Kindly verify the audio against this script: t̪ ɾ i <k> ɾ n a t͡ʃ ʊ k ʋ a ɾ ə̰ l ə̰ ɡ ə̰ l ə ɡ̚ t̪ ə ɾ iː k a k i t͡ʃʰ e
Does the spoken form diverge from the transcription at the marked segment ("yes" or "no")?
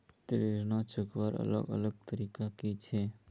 yes